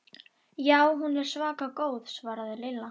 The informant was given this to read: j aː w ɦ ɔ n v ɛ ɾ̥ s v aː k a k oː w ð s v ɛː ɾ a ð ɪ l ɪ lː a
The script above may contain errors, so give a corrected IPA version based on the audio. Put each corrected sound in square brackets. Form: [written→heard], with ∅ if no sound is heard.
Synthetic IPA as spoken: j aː w ɦ [ɔ→u] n v ɛ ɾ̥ s v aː k a k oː w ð s v [ɛː→aː] ɾ a ð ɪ l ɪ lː a